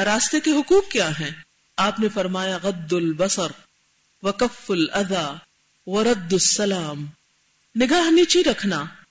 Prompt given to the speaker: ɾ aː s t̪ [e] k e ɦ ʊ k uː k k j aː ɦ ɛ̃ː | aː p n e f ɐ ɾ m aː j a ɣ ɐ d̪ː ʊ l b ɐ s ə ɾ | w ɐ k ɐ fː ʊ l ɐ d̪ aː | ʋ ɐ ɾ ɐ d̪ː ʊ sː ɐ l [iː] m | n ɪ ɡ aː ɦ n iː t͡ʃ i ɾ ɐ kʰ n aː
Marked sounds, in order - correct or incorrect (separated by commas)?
correct, incorrect